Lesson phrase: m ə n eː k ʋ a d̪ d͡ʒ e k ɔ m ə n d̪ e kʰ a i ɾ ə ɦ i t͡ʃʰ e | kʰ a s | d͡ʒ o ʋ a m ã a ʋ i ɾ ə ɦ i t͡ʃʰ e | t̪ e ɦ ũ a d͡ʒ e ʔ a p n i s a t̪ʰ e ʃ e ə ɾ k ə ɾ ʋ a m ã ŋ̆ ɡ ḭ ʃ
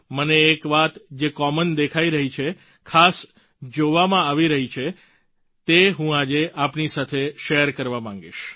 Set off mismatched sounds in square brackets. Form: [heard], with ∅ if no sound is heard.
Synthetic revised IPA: m ə n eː k ʋ a [t̪] d͡ʒ e k ɔ m ə n d̪ e kʰ a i ɾ ə ɦ i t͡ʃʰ e | kʰ a s | d͡ʒ o ʋ a m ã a ʋ i ɾ ə ɦ i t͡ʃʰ e | t̪ e ɦ ũ a d͡ʒ e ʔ a p n i s a t̪ʰ e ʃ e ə ɾ k ə ɾ ʋ a m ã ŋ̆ ɡ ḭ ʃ